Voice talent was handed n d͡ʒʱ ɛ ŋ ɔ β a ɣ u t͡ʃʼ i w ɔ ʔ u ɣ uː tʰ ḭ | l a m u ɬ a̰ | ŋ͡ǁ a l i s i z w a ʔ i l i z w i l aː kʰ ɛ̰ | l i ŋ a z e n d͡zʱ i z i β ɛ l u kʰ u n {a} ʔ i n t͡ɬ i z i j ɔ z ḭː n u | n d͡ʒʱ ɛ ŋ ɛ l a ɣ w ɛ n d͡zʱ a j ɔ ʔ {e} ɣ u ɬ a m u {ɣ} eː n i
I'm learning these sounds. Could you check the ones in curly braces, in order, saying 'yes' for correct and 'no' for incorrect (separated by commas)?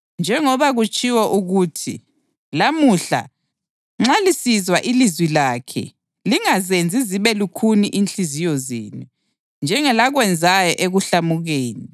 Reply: no, yes, yes